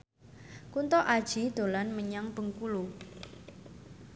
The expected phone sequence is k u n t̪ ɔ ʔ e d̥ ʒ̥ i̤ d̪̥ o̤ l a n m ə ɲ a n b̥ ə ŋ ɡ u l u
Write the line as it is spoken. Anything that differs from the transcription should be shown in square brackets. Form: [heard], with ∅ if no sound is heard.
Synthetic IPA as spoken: k u n t̪ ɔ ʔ [a] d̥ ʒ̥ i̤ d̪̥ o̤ l a n m ə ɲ a [ŋ] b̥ ə ŋ [k] u l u